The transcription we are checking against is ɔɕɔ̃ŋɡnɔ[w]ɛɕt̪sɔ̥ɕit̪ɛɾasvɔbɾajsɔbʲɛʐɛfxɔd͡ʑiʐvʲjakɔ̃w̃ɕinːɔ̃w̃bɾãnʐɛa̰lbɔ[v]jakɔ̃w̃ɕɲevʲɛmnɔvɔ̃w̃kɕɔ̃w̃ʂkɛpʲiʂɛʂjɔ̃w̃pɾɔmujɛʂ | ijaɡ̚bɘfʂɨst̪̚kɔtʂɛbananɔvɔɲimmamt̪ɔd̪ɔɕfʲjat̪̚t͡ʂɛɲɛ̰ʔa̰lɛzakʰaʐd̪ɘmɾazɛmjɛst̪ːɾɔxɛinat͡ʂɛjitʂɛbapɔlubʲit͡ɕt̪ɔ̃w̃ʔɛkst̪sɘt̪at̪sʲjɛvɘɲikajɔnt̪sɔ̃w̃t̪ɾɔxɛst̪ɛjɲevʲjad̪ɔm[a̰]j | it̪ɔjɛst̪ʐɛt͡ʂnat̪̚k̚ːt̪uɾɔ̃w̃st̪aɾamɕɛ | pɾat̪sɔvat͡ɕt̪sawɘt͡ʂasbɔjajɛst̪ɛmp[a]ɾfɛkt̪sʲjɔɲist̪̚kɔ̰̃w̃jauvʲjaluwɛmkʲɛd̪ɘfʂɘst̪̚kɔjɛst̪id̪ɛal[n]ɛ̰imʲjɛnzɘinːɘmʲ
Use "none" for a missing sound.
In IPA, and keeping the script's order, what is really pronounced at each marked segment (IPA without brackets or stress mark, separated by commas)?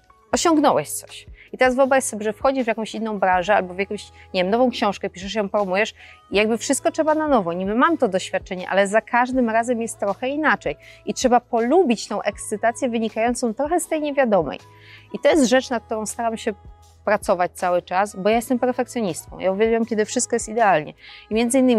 w, v, ɛ̰, ɛ, ɲ